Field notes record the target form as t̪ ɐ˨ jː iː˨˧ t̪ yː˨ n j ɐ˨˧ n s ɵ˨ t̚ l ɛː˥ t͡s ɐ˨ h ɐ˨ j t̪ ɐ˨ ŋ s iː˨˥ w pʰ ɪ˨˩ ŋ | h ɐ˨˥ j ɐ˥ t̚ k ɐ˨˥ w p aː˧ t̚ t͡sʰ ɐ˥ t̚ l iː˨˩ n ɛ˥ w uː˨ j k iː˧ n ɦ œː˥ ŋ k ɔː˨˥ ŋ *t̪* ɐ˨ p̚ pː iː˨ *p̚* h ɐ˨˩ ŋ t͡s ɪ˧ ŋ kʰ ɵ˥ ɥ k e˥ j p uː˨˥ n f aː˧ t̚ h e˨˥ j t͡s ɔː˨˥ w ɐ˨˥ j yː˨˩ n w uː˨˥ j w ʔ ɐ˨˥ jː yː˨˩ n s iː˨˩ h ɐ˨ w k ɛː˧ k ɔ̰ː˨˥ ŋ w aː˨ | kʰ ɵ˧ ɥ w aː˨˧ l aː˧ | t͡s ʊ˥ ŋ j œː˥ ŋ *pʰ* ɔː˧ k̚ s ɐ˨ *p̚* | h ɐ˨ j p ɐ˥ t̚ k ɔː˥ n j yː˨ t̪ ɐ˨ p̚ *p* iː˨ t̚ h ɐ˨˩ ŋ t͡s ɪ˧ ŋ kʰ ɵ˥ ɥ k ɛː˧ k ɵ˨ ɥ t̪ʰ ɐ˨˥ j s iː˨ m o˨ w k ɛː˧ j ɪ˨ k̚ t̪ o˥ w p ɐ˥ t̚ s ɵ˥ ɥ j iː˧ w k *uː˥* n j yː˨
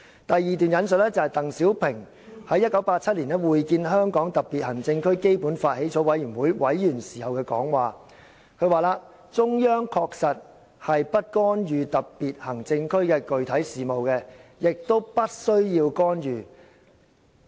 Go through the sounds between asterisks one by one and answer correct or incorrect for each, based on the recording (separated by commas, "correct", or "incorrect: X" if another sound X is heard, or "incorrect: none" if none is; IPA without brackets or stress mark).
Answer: correct, incorrect: t̚, incorrect: kʰ, incorrect: t̚, correct, incorrect: ɔː˥